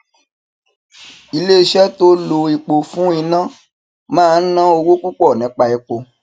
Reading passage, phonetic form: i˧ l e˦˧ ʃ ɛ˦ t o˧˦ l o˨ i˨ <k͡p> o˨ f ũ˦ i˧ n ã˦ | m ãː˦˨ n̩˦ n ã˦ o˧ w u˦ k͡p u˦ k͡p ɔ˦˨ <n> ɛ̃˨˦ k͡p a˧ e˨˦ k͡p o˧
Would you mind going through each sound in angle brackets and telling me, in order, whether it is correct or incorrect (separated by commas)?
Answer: correct, correct